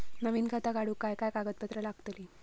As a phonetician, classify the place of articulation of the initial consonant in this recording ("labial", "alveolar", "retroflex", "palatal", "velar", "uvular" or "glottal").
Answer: alveolar